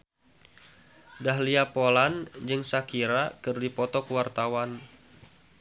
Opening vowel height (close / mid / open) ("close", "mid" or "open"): open